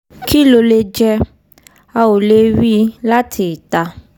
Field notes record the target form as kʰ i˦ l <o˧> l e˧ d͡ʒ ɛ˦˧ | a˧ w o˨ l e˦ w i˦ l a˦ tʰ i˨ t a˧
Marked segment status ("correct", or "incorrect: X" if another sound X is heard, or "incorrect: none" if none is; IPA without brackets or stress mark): correct